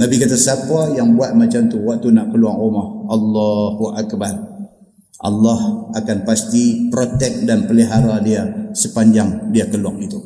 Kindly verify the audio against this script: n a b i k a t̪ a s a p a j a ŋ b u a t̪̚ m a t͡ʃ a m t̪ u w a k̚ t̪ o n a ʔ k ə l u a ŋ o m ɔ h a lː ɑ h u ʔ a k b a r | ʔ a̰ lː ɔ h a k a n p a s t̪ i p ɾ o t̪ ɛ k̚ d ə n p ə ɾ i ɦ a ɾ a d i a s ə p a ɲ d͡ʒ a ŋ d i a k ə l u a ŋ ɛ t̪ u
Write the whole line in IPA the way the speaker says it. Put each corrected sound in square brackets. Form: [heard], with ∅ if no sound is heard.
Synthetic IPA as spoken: n a b i k a t̪ a s a p a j a ŋ b u a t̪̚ m a t͡ʃ a m t̪ u w a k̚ t̪ [u] n a ʔ k ə l u a ŋ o m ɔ h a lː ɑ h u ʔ a k b a r | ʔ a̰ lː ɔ h a k a n p a s t̪ i p ɾ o t̪ ɛ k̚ d [a] n p ə [l] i ɦ a ɾ a d i a s ə p a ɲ d͡ʒ a ŋ d i a k ə l u a ŋ [i] t̪ u